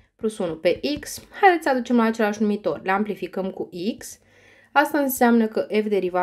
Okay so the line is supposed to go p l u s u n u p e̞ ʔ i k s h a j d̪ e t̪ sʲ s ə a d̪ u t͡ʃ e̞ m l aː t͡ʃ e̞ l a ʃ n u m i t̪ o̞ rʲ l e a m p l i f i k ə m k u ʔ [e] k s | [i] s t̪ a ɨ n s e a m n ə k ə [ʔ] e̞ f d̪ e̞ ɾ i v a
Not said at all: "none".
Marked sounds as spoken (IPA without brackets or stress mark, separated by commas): i, a, ʔ